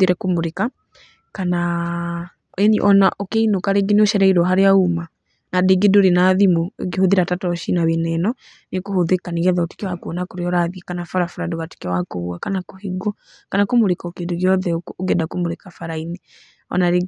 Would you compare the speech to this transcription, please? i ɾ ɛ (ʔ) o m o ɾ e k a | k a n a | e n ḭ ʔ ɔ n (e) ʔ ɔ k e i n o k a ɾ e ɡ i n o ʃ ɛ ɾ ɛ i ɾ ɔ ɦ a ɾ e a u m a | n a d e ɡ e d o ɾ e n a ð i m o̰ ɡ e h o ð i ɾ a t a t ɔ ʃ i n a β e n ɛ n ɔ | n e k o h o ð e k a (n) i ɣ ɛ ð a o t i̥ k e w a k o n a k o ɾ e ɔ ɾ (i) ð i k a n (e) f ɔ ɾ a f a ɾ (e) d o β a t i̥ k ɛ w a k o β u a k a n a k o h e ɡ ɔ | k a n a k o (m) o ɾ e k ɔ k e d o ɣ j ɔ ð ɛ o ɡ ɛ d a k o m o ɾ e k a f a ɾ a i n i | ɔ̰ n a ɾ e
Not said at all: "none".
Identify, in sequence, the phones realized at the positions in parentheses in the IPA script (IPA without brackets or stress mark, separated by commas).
k, a, n, a, a, a, m